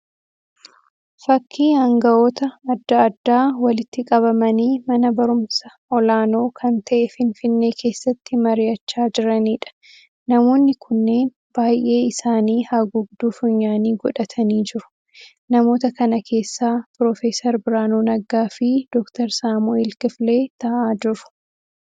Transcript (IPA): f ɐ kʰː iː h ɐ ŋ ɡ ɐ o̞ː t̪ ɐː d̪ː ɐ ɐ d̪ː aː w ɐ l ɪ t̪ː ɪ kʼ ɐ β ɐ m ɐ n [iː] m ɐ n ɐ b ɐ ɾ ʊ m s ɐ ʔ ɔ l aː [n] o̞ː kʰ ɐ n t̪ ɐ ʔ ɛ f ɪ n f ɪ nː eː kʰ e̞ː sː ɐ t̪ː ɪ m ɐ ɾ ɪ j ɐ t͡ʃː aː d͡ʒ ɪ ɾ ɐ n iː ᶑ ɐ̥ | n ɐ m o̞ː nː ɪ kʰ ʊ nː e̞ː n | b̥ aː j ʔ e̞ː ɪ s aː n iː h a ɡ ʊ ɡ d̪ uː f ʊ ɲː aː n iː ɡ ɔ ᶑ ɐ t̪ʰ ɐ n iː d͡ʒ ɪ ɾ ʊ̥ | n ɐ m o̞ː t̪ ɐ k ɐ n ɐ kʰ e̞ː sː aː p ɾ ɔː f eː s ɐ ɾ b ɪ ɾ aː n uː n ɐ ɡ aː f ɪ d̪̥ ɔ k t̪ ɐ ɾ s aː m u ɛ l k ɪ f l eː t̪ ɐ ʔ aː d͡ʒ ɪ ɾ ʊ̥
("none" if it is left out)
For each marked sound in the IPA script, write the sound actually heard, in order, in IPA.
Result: iː, n

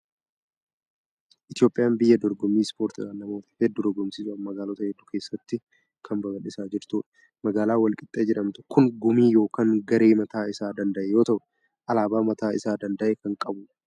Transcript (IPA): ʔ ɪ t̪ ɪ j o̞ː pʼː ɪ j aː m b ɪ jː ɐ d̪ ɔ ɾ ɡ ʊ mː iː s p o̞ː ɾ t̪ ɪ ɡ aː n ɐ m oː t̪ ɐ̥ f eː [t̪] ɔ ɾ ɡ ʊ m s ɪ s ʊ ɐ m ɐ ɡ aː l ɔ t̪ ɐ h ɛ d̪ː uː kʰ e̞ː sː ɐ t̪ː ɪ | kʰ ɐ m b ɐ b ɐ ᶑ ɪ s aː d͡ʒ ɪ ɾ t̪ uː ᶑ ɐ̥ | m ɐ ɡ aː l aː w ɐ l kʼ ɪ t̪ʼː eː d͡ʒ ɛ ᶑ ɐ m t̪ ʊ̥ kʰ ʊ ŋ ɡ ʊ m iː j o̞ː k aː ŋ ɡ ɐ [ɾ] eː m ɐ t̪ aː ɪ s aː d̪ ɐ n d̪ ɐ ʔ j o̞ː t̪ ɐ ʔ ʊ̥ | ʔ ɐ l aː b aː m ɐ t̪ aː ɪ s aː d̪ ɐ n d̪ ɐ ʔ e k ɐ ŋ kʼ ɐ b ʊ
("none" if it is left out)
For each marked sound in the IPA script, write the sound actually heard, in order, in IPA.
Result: d̪, ɾ

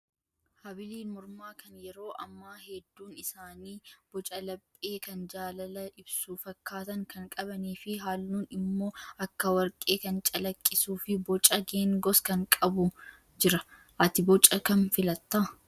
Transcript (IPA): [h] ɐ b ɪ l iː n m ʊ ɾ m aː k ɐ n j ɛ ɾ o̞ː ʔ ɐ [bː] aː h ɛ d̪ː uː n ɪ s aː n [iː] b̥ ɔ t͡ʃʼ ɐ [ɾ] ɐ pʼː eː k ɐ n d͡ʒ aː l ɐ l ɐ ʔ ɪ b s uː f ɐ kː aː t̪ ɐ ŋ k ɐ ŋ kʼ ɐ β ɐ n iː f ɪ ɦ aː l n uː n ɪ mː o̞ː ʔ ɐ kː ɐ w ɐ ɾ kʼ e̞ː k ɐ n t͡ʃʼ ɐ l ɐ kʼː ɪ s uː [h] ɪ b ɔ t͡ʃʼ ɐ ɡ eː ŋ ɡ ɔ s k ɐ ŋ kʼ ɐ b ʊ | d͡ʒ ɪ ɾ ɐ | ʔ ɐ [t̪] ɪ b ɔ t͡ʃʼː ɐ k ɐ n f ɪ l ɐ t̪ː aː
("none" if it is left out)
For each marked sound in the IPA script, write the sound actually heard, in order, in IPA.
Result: h, mː, iː, l, f, t̪

